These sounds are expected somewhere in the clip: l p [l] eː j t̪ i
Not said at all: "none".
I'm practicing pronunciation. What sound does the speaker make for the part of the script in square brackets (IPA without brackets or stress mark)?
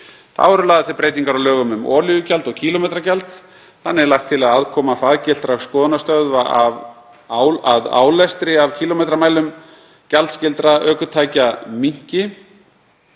ɾ